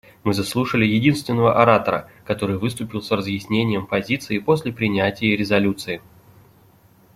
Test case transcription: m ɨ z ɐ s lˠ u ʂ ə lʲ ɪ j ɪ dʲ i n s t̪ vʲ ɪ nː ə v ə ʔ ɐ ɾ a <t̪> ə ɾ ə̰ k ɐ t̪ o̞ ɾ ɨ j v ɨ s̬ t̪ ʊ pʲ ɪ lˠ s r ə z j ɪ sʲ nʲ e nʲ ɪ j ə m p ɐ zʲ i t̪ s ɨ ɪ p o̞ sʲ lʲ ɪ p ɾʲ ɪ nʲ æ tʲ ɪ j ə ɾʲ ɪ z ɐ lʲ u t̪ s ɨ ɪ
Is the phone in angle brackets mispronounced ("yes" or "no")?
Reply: no